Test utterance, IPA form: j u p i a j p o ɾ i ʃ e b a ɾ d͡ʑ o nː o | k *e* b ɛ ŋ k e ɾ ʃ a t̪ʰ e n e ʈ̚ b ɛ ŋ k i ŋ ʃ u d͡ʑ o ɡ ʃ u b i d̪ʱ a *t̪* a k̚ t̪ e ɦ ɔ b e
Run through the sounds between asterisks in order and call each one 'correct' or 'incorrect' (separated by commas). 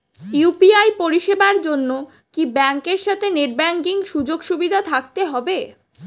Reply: incorrect, incorrect